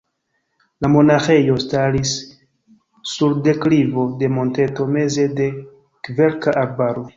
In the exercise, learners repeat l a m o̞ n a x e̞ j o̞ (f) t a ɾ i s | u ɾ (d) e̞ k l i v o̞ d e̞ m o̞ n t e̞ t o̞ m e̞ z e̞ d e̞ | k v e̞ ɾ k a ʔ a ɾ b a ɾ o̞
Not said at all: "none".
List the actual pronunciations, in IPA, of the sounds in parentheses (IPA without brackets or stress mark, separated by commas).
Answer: s, d